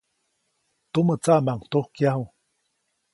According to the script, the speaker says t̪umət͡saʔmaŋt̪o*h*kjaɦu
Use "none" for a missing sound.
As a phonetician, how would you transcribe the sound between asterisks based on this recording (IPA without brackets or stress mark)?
h